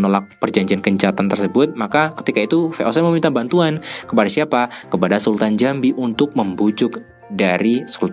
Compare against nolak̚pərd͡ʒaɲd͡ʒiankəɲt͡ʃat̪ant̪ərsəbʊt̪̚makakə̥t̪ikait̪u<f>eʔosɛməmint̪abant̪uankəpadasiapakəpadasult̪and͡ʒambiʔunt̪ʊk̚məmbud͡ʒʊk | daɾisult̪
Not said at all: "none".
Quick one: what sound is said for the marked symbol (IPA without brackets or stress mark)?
f